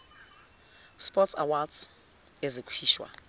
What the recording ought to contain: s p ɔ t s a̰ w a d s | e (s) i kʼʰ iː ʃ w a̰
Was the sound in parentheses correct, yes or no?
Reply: no